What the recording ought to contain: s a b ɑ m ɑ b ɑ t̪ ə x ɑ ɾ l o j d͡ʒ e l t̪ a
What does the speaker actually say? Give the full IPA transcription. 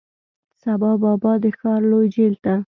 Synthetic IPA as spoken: s a b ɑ b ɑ b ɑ d̪ ə x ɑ ɾ l o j d͡ʒ e l t̪ a